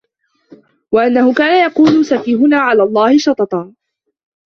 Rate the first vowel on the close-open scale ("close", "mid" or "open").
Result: open